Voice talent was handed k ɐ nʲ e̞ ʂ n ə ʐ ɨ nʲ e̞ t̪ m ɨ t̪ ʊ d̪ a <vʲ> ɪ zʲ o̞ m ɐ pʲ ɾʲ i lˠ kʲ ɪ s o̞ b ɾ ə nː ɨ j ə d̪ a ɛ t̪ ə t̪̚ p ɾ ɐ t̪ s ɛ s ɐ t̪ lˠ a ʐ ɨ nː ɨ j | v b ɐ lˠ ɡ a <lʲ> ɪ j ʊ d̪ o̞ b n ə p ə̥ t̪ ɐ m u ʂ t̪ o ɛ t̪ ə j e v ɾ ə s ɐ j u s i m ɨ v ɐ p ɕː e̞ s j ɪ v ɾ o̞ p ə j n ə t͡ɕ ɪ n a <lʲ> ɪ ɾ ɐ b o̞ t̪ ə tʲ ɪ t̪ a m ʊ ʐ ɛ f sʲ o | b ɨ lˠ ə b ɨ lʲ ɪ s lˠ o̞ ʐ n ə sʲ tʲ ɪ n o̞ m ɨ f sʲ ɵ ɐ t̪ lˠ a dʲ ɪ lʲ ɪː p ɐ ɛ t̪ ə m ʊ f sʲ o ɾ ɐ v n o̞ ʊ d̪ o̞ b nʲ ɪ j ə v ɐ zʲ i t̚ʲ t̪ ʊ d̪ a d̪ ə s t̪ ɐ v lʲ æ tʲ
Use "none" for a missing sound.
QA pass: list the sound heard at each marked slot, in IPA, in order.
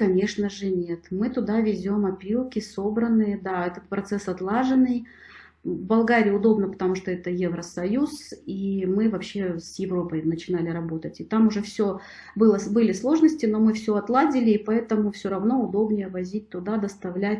vʲ, ɾʲ, lʲ

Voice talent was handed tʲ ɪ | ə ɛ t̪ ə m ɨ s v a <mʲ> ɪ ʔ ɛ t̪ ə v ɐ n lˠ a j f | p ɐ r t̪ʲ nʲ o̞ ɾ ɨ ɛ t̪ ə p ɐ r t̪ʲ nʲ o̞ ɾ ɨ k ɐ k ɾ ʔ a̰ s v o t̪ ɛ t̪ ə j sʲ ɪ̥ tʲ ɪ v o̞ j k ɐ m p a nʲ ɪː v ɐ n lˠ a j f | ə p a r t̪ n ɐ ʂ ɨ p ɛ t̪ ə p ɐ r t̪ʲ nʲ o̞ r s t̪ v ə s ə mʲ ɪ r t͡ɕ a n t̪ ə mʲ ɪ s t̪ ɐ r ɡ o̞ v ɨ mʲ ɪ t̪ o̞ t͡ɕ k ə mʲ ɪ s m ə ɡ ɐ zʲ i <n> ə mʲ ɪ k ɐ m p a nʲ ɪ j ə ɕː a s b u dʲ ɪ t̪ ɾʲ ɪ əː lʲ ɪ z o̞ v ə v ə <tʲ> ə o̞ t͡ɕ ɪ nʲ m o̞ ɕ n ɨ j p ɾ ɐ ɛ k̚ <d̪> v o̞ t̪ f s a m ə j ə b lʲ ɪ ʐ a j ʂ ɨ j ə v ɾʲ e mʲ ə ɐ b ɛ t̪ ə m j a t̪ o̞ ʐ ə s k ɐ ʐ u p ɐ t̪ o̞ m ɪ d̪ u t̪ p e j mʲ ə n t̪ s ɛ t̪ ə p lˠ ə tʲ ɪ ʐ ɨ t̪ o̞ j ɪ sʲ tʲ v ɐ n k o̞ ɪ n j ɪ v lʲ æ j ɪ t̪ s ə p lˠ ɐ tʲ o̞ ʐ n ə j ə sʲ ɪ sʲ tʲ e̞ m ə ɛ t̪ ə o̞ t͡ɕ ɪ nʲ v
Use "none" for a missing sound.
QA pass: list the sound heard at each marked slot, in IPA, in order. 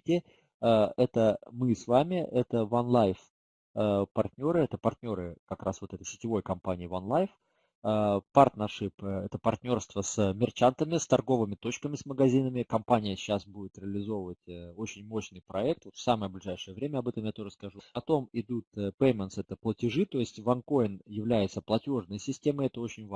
mʲ, n, tʲ, t̪

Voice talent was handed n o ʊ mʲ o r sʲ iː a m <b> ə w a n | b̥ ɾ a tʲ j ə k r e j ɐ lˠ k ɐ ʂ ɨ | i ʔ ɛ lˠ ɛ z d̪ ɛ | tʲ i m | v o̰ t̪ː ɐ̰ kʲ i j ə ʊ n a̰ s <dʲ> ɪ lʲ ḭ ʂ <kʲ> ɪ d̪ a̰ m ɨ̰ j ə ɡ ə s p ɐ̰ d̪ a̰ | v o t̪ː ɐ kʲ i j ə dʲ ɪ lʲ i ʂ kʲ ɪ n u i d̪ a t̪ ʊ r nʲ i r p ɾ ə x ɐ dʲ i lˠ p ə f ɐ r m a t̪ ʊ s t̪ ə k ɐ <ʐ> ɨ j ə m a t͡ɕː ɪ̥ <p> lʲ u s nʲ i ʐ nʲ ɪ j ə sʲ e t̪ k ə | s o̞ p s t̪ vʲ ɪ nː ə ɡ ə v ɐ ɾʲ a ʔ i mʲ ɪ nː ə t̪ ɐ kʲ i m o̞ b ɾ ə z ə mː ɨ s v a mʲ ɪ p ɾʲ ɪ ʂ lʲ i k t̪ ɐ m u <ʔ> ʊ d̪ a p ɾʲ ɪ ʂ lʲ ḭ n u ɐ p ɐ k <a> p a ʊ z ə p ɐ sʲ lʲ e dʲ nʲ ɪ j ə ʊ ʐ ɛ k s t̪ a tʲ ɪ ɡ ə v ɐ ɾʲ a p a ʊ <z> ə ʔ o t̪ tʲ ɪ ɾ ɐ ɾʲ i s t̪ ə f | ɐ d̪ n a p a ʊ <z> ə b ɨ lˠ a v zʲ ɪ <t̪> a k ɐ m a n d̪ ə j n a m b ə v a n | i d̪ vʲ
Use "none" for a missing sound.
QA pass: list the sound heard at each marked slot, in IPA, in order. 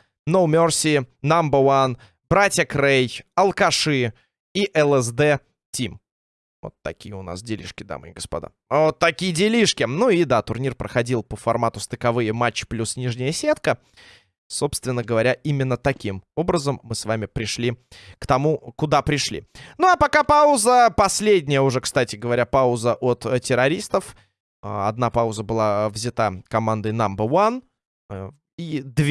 b, dʲ, kʲ, v, p, k, a, z, z, t̪

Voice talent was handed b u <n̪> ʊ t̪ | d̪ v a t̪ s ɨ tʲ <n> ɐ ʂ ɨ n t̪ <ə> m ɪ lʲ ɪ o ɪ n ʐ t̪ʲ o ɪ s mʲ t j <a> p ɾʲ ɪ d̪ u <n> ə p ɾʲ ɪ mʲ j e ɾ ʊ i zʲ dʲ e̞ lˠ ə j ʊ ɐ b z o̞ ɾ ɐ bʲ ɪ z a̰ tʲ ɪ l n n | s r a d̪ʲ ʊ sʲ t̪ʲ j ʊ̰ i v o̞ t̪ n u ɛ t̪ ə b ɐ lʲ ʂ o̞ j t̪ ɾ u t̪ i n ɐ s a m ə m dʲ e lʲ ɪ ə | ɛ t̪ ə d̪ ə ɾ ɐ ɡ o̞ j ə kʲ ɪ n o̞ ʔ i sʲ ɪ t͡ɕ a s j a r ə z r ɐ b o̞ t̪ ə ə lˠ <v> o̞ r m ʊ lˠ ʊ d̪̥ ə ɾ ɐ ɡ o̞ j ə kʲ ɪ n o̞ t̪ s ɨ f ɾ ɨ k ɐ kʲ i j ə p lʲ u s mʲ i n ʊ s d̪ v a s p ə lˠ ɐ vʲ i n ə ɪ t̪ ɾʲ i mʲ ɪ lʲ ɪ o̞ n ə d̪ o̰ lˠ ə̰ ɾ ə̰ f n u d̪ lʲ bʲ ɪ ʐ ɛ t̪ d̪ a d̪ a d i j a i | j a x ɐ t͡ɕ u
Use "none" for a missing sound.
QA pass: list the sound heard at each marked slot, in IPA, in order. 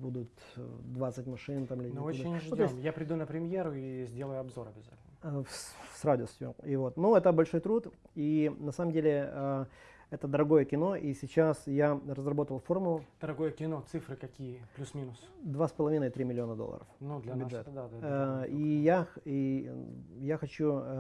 d̪, m, a, a, n, f

